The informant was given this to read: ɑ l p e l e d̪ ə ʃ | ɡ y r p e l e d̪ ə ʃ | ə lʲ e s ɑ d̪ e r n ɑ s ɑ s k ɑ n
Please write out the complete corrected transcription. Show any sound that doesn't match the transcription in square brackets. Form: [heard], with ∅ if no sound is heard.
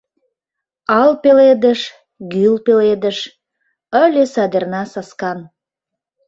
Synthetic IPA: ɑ l p e l e d̪ ə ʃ | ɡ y [l] p e l e d̪ ə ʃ | ə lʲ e s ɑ d̪ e r n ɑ s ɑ s k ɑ n